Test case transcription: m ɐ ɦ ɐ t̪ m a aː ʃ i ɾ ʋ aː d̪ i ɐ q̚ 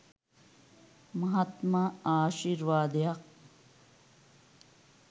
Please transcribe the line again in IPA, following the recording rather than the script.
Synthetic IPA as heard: m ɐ ɦ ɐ t̪ m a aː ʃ i ɾ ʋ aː d̪ j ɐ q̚